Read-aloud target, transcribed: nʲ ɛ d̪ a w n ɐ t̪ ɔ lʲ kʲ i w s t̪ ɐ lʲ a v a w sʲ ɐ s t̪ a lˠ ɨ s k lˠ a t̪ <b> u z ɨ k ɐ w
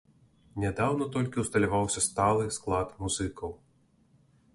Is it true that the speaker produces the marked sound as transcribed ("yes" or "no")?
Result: no